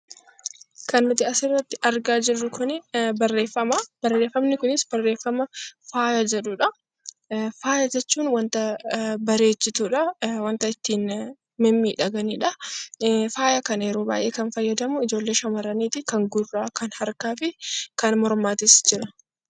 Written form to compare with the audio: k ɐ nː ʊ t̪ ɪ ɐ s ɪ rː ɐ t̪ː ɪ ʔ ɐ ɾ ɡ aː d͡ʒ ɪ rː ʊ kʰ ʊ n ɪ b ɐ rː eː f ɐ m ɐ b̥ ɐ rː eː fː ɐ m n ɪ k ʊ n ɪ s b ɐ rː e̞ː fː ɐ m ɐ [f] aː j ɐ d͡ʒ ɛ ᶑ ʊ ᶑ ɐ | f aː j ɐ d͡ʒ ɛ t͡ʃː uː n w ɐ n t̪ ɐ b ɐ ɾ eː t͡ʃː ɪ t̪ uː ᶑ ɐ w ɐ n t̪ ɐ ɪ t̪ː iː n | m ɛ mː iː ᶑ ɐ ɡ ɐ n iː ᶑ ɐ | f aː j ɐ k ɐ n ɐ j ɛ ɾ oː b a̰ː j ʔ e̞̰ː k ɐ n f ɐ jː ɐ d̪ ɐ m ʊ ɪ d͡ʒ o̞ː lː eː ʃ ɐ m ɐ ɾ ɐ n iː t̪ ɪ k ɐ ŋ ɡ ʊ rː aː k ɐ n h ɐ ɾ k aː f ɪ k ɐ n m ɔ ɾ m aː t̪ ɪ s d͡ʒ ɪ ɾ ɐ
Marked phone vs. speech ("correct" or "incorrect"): correct